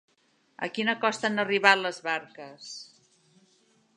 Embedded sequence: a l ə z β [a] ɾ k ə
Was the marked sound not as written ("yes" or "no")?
no